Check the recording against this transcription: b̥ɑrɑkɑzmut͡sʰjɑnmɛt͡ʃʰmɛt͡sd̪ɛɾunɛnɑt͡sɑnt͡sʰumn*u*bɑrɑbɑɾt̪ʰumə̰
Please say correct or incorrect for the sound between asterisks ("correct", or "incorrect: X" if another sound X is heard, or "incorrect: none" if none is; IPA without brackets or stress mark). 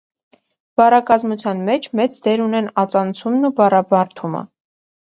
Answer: correct